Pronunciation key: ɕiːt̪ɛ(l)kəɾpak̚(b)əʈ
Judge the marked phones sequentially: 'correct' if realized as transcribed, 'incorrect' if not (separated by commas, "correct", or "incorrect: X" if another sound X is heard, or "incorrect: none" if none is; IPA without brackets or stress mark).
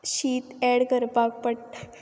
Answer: incorrect: ɽ, incorrect: p